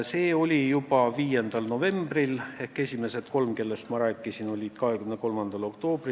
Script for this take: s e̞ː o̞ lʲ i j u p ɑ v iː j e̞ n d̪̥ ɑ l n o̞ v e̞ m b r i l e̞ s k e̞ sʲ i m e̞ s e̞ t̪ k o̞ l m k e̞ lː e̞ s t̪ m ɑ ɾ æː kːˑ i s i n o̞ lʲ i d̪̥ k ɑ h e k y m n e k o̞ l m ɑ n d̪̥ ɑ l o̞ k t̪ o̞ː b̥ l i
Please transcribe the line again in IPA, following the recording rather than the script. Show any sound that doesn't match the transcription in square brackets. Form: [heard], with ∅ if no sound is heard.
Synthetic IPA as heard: s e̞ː o̞ lʲ i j u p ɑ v iː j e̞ n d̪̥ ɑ l n o̞ v e̞ m b r i l e̞ [h] k e̞ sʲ i m e̞ s e̞ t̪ k o̞ l m k e̞ lː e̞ s t̪ m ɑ ɾ æː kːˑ i s i n o̞ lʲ i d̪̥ k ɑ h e k y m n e k o̞ l m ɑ n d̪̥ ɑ l o̞ k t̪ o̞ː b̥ [r] i